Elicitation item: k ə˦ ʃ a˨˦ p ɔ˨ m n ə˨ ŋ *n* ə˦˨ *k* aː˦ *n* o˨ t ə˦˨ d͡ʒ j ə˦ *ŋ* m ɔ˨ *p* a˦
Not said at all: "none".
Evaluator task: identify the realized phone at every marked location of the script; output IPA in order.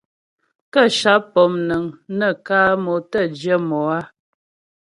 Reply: n, k, m, none, none

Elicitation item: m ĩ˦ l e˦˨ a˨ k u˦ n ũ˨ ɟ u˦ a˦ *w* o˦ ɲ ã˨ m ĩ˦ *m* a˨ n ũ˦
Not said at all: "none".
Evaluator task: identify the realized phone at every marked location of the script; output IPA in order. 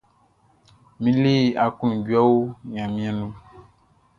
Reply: w, none

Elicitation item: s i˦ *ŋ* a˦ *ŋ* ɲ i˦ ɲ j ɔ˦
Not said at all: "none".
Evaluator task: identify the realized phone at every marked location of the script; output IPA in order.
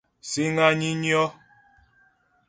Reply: ŋ, none

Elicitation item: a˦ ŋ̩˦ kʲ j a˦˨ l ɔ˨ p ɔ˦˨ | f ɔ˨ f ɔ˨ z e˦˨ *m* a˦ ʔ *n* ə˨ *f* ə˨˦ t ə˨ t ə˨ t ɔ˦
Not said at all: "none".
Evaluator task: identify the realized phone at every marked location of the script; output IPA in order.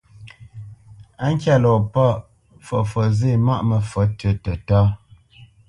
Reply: m, m, f

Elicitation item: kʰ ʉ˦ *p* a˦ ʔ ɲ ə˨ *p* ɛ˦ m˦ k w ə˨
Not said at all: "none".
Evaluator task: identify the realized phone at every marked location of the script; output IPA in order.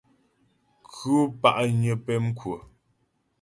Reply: p, p

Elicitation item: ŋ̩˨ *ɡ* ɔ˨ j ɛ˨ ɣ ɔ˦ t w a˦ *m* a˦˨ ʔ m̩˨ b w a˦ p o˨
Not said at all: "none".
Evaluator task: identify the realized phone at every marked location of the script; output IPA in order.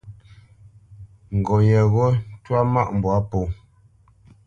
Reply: ɡ, m

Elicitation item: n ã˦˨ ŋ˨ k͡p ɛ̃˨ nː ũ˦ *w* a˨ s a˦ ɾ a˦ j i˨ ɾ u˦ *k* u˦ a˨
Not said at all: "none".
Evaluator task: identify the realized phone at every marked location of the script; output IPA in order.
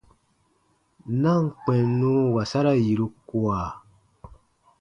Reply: w, k

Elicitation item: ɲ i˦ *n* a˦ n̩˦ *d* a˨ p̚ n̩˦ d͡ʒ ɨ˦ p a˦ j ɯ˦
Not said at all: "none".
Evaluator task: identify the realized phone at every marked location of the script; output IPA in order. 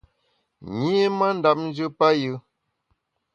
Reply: m, d

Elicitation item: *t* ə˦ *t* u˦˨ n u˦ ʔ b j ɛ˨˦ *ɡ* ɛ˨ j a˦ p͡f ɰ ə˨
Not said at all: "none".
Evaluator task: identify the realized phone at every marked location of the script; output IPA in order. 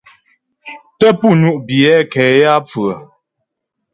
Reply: t, p, k

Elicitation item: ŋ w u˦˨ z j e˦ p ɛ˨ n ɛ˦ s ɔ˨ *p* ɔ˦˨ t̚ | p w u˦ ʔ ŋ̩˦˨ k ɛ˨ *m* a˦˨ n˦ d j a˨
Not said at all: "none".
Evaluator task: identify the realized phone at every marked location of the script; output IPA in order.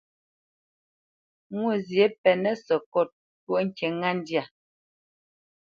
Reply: k, ŋ

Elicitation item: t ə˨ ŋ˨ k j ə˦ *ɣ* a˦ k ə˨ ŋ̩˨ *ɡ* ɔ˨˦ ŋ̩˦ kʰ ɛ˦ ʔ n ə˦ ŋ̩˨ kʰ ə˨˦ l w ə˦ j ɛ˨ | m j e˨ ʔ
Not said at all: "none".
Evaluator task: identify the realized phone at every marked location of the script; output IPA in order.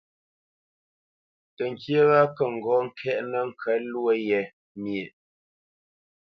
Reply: ɣ, ɡ

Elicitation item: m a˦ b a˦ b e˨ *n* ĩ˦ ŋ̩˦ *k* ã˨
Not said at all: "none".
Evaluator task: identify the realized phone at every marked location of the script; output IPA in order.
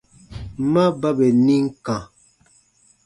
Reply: n, k

